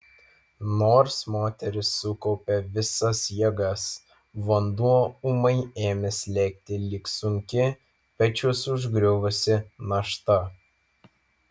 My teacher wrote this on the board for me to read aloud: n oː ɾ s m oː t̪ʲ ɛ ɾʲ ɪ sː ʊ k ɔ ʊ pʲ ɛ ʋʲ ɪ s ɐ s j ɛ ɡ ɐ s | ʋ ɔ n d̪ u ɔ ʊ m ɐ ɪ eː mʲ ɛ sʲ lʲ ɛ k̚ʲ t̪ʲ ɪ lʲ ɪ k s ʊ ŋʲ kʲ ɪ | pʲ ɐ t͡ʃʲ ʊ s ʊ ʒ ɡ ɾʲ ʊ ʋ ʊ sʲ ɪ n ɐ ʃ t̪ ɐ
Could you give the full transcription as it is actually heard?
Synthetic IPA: n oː ɾ s m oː t̪ʲ ɛ ɾʲ ɪ sː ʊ k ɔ ʊ pʲ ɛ ʋʲ ɪ s ɐ s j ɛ ɡ ɐ s | ʋ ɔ n d̪ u ɔ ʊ m ɐ ɪ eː mʲ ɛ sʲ lʲ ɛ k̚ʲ t̪ʲ ɪ lʲ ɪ k s ʊ ŋʲ kʲ ɪ | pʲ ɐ t͡ʃʲ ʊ s ʊ ʒ ɡ ɾʲ ʊ ʋ ʊ sʲ ɪ n ɐ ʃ t̪ ɐ

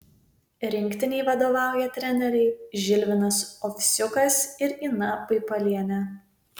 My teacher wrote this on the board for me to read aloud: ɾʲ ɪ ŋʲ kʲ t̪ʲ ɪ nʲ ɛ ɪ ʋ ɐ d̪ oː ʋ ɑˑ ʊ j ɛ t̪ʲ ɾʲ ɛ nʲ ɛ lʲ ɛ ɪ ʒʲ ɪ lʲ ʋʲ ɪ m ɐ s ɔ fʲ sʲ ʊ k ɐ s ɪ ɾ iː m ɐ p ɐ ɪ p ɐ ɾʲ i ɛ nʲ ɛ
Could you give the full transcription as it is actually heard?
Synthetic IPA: ɾʲ ɪ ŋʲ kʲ t̪ʲ ɪ nʲ ɛ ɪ ʋ ɐ d̪ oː ʋ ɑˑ ʊ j ɛ t̪ʲ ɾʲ ɛ nʲ ɛ ɾʲ ɛ ɪ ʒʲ ɪ lʲ ʋʲ ɪ n ɐ s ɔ fʲ sʲ ʊ k ɐ s ɪ ɾ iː n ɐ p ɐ ɪ p ɐ lʲ i ɛ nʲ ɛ

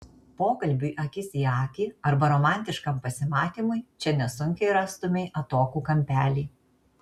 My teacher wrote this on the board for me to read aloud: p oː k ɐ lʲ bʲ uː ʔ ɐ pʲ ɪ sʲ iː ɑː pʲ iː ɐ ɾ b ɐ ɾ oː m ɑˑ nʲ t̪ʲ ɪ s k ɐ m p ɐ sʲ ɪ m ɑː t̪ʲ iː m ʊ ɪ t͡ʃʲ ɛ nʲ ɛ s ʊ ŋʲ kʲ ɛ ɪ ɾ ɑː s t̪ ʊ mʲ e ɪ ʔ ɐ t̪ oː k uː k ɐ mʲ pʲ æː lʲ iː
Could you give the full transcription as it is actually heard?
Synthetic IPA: p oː k ɐ lʲ bʲ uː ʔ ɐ kʲ ɪ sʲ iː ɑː kʲ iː ɐ ɾ b ɐ ɾ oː m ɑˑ nʲ t̪ʲ ɪ ʃ k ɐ m p ɐ sʲ ɪ m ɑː t̪ʲ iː m ʊ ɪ t͡ʃʲ ɛ nʲ ɛ s ʊ ŋʲ kʲ ɛ ɪ ɾ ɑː s t̪ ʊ mʲ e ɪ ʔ ɐ t̪ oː k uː k ɐ mʲ pʲ æː lʲ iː

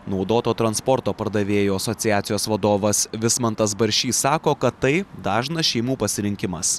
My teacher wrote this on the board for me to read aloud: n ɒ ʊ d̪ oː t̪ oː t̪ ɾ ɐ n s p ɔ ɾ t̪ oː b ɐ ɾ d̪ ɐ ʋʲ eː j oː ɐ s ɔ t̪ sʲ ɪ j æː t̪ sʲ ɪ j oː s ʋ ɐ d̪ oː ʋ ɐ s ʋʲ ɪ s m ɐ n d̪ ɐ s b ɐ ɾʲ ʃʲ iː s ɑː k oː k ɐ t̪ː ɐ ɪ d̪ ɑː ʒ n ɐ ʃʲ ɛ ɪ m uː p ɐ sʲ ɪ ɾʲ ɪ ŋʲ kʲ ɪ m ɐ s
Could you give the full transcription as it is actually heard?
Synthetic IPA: n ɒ ʊ d̪ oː t̪ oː t̪ ɾ ɐ n s p ɔ ɾ t̪ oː p ɐ ɾ d̪ ɐ ʋʲ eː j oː ɐ s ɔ t̪ sʲ ɪ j æː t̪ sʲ ɪ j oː s ʋ ɐ d̪ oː ʋ ɐ s ʋʲ ɪ s m ɐ n t̪ ɐ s b ɐ ɾʲ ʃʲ iː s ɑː k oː k ɐ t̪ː ɐ ɪ d̪ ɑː ʒ n ɐ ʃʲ ɛ ɪ m uː p ɐ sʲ ɪ ɾʲ ɪ ŋʲ kʲ ɪ m ɐ s

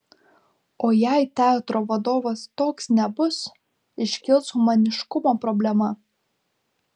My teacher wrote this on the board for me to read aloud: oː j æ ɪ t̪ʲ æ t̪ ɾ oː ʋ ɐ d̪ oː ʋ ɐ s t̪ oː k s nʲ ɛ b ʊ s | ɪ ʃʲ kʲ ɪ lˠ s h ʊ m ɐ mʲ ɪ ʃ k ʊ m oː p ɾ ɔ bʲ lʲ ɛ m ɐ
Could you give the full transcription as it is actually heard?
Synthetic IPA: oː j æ ɪ t̪ʲ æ t̪ ɾ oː ʋ ɐ d̪ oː ʋ ɐ s t̪ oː k s nʲ ɛ b ʊ s | ɪ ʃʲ kʲ ɪ lˠ s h ʊ m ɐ nʲ ɪ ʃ k ʊ m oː p ɾ ɔ bʲ lʲ ɛ m ɐ

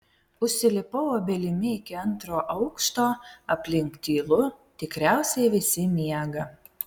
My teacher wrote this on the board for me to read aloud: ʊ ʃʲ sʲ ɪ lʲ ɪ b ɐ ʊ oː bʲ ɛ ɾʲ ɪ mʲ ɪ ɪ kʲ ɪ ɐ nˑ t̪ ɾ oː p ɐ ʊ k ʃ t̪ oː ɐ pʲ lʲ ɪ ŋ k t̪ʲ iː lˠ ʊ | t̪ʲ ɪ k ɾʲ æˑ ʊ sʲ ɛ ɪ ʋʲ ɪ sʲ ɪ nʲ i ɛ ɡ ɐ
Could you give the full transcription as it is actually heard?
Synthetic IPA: ʊ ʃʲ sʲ ɪ lʲ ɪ p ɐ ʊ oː bʲ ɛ lʲ ɪ mʲ ɪ ɪ kʲ ɪ ɐ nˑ t̪ ɾ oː ʔ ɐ ʊ k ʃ t̪ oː ɐ pʲ lʲ ɪ ŋ k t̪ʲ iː lˠ ʊ | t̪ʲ ɪ k ɾʲ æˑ ʊ sʲ ɛ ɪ ʋʲ ɪ sʲ ɪ mʲ i ɛ ɡ ɐ

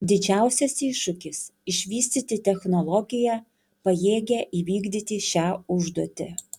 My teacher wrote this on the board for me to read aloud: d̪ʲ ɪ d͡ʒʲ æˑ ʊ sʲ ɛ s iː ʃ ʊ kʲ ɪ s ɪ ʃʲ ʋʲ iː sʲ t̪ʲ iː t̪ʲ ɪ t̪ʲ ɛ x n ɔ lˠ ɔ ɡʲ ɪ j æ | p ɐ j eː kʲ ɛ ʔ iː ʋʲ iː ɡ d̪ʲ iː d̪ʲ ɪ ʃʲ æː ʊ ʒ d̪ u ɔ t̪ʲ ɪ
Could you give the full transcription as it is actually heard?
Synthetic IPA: d̪ʲ ɪ d͡ʒʲ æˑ ʊ sʲ ɛ s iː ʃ ʊ kʲ ɪ s ɪ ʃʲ ʋʲ iː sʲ t̪ʲ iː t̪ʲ ɪ t̪ʲ ɛ x n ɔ lˠ ɔ ɡʲ ɪ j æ | p ɐ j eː ɡʲ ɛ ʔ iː ʋʲ iː ɡ d̪ʲ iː t̪ʲ ɪ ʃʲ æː ʊ ʒ d̪ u ɔ t̪ʲ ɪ

